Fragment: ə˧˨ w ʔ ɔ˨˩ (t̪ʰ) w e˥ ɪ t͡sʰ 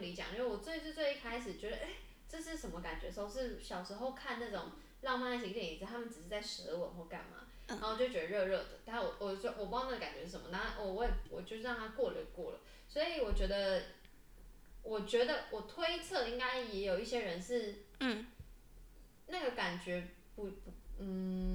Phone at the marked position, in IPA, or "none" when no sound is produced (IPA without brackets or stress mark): t̪ʰ